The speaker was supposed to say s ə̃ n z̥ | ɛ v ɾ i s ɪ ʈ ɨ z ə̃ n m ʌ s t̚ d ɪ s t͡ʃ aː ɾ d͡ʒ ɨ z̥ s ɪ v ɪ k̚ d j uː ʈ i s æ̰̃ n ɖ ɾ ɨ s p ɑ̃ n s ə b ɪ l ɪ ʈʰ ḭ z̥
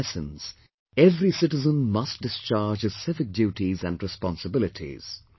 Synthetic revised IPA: s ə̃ n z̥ | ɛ v ɾ i s ɪ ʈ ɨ z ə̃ n m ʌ s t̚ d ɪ s t͡ʃ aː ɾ d͡ʒ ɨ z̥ s ɪ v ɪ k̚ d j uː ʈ i z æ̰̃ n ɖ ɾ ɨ s p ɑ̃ n s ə b ɪ l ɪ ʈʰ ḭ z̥

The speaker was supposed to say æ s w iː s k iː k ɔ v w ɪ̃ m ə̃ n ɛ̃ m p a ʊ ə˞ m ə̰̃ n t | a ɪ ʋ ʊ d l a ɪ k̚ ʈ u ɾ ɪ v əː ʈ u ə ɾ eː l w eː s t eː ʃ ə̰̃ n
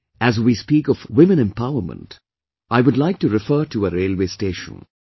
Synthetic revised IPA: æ z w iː s p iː k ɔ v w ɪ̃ m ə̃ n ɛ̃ m p a ʊ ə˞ m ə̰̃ n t | a ɪ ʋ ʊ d l a ɪ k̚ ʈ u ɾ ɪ f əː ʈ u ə ɾ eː l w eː s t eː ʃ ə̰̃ n

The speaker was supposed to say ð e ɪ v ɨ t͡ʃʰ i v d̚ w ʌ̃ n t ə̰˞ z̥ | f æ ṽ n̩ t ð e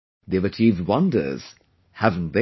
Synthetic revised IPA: ð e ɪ v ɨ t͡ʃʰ i v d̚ w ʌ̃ n d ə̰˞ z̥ | h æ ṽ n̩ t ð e

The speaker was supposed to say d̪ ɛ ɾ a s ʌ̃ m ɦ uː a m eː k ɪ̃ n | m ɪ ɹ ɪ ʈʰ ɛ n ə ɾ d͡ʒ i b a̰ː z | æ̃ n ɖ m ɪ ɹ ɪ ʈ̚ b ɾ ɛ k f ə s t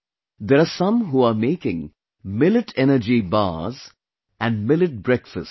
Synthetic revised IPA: d̪ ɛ ɾ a s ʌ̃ m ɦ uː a m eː k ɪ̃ ŋ | m ɪ l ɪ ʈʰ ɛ n ə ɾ d͡ʒ i b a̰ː z | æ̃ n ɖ m ɪ l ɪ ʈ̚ b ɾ ɛ k f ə s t

